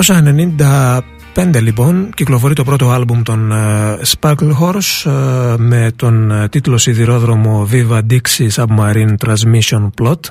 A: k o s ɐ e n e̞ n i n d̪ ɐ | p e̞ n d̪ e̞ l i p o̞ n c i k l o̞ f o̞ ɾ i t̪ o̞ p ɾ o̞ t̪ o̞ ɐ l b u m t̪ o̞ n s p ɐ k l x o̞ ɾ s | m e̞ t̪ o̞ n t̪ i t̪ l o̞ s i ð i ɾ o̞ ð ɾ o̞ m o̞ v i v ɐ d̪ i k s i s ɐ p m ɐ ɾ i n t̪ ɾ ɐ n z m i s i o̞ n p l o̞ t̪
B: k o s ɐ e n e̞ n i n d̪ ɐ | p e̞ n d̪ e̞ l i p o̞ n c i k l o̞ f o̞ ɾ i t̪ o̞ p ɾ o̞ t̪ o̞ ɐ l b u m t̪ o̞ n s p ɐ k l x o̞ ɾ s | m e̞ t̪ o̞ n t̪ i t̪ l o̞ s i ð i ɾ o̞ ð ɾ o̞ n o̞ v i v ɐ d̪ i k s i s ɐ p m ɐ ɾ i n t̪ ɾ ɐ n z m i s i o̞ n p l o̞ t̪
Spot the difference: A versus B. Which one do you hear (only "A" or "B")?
A